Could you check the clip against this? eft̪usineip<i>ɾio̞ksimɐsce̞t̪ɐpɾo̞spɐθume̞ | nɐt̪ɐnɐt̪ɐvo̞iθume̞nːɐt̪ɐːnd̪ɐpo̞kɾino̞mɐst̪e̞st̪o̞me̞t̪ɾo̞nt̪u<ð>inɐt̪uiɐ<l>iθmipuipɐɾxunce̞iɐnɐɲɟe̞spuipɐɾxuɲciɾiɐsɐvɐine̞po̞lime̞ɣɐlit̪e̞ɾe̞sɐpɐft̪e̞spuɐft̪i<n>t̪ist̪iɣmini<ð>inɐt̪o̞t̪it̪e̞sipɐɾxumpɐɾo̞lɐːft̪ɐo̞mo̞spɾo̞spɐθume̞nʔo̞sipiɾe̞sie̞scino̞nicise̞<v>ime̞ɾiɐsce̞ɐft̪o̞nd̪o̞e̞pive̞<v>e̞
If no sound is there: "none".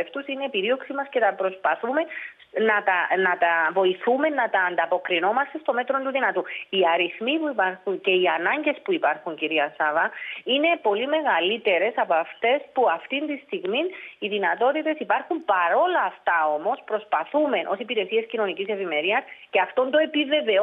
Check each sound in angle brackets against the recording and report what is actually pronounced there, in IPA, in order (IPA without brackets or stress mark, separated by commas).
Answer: i, ð, ɾ, n, ð, v, v